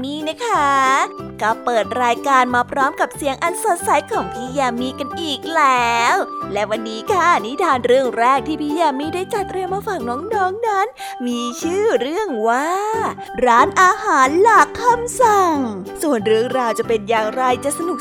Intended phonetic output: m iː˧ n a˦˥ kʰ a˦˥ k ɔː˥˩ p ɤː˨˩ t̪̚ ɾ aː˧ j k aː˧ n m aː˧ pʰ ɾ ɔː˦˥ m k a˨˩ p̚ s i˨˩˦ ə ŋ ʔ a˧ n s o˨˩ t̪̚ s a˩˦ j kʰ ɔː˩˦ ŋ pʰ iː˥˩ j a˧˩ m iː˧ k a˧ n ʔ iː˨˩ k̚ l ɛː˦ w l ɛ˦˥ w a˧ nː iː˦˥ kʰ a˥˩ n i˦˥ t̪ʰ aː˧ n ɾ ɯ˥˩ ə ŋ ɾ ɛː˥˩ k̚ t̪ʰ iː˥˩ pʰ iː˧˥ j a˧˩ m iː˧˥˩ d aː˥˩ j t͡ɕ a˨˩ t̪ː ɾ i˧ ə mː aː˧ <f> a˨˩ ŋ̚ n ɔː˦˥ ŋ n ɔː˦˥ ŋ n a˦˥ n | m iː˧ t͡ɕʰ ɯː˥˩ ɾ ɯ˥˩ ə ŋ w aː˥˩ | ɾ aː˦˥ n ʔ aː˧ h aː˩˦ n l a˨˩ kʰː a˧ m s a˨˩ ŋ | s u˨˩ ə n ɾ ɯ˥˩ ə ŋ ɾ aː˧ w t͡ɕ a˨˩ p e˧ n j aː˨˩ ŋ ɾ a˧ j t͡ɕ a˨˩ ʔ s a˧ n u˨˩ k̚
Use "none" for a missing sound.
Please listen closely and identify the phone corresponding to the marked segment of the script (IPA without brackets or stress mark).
f